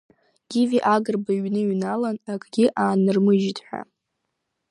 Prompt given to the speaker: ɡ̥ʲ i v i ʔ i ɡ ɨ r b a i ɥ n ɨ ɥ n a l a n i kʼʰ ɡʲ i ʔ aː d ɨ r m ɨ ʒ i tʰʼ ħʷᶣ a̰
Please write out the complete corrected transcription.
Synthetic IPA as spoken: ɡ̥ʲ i v i ʔ a ɡ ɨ r b a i ɥ n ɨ ɥ n a l a n a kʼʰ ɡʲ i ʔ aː n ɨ r m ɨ ʒ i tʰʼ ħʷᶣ a̰